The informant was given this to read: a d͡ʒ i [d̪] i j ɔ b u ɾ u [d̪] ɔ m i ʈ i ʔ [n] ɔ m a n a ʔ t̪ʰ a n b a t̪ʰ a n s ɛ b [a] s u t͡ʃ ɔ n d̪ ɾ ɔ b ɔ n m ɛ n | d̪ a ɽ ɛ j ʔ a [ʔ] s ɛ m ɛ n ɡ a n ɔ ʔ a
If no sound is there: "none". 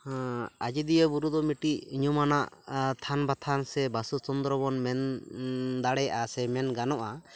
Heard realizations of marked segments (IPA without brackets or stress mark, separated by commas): d̪, d̪, ɲ, a, none